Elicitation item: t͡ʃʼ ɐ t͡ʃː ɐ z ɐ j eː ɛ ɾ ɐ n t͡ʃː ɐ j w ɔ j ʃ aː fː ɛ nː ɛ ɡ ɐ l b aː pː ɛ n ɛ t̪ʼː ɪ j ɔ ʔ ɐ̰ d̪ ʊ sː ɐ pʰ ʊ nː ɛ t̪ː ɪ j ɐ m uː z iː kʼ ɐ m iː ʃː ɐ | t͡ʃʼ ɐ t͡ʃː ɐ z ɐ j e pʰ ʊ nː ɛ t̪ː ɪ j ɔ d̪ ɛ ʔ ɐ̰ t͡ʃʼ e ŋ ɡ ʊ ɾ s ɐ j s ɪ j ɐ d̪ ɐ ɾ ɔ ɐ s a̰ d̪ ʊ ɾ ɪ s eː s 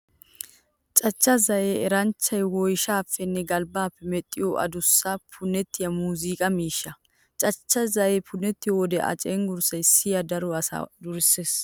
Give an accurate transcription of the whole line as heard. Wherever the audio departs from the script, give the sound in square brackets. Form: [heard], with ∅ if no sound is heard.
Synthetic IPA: t͡ʃʼ ɐ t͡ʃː ɐ z ɐ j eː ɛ ɾ ɐ n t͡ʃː ɐ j w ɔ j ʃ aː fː ɛ nː ɛ ɡ ɐ l b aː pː ɛ [m] ɛ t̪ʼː ɪ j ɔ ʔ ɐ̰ d̪ ʊ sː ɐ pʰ ʊ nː ɛ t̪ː ɪ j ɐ m uː z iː kʼ ɐ m iː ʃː ɐ | t͡ʃʼ ɐ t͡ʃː ɐ z ɐ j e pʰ ʊ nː ɛ t̪ː ɪ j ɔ d̪ ɛ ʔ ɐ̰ t͡ʃʼ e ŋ ɡ ʊ ɾ s ɐ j s ɪ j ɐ d̪ ɐ ɾ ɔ ɐ s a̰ d̪ ʊ ɾ ɪ s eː s